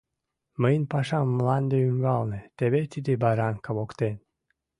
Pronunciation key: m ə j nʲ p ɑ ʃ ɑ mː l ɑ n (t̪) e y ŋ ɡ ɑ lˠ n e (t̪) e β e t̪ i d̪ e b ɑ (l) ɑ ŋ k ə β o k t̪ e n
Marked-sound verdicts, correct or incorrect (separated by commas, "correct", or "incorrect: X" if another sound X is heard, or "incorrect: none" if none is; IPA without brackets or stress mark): incorrect: d̪, correct, incorrect: ɾ